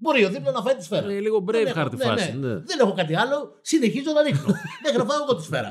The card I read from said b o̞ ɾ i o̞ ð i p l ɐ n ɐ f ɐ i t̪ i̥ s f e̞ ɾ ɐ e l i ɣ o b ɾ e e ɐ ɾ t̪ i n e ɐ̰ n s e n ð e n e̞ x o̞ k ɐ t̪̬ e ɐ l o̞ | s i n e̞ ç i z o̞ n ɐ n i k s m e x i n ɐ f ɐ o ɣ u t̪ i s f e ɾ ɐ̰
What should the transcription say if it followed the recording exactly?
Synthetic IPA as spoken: b o̞ ɾ i o̞ ð i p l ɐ n ɐ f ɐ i t̪ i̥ s f e̞ ɾ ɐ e l i ɣ o b ɾ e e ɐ ɾ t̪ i n e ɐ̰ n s e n ð e n e̞ x o̞ k ɐ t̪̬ i ɐ l o̞ | s i n e̞ ç i z o̞ n ɐ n i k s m e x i n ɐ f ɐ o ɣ o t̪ i s f e ɾ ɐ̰